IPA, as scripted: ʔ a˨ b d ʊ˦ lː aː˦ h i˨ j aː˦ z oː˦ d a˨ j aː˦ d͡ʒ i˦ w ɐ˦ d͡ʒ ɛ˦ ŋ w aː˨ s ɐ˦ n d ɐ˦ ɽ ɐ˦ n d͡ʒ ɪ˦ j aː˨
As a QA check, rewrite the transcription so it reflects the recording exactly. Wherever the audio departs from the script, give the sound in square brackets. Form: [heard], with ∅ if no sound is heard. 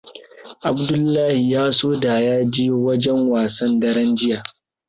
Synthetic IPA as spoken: ʔ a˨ b d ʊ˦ lː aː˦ h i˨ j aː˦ [s] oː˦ d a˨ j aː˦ d͡ʒ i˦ w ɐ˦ d͡ʒ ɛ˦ ŋ w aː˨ s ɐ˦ n d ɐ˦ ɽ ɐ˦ n d͡ʒ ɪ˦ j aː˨

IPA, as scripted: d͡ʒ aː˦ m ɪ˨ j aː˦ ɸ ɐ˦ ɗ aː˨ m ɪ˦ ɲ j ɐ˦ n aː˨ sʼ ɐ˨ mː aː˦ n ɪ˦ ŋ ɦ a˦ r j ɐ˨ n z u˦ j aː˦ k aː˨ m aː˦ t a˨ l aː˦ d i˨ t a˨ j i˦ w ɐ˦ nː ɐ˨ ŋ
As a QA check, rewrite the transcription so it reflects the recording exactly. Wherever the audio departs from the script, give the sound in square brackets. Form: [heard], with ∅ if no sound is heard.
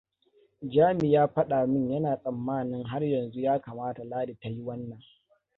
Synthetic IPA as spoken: d͡ʒ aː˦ m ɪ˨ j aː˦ ɸ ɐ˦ ɗ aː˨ m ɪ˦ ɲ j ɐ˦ n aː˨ sʼ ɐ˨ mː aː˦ n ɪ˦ ŋ ɦ a˦ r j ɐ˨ n z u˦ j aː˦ k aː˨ m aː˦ t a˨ l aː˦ d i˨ t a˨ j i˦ w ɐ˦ nː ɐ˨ ŋ

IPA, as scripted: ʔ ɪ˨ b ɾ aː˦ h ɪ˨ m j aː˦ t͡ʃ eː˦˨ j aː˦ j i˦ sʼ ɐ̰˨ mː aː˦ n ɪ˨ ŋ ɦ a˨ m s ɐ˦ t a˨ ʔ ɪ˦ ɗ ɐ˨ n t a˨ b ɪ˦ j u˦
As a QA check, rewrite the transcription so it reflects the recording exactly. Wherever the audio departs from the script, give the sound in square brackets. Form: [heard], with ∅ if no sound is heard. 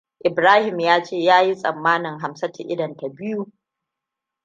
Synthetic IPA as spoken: ʔ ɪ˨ b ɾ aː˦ h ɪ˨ m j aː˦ t͡ʃ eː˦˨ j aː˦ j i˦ sʼ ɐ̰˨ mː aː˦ n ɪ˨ ŋ ɦ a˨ m s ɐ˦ t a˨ ʔ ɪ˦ [d] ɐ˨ n t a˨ b ɪ˦ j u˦

